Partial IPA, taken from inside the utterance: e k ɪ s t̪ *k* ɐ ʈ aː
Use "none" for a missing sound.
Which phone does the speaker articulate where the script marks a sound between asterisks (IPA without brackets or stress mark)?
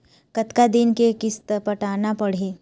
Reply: p